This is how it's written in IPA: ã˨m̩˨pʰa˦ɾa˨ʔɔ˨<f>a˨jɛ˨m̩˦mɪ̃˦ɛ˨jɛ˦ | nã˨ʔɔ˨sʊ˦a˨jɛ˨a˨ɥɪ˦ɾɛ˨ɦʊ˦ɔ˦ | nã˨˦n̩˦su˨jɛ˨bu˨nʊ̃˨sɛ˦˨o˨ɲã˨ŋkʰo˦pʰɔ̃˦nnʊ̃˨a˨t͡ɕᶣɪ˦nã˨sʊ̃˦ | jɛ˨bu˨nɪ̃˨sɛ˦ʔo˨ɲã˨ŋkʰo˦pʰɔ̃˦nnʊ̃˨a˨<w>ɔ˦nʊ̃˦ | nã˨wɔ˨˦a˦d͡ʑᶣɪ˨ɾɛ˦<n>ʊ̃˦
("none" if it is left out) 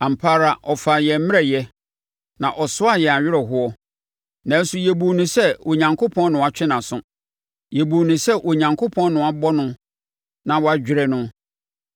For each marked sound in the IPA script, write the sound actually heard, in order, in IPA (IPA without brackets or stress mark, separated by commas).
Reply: f, b, n